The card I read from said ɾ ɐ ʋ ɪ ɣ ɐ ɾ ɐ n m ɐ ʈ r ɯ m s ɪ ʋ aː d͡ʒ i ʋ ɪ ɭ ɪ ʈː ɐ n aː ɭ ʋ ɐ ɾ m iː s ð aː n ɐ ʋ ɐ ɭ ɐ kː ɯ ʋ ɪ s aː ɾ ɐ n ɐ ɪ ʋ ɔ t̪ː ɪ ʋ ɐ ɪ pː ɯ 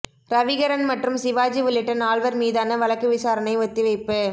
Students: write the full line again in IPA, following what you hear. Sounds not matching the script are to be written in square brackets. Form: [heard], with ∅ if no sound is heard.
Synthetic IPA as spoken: ɾ ɐ ʋ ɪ ɣ ɐ ɾ ɐ n m ɐ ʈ r ɯ m s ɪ ʋ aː d͡ʒ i ʋ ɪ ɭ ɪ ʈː ɐ n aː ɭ ʋ ɐ ɾ m iː [∅] ð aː n ɐ ʋ ɐ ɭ ɐ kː ɯ ʋ ɪ s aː ɾ ɐ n ɐ ɪ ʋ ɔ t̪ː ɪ ʋ ɐ ɪ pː ɯ